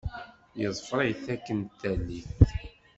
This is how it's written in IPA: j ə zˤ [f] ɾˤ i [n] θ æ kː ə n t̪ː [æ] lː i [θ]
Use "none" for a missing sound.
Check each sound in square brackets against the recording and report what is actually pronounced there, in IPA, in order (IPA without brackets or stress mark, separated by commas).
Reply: f, none, æ, θ